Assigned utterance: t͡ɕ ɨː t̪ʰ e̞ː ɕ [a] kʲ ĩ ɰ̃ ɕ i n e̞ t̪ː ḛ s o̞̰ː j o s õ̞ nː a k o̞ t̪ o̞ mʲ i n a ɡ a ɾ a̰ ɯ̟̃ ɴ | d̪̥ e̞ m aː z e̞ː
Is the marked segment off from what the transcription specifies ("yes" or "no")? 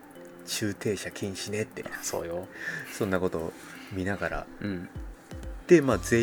no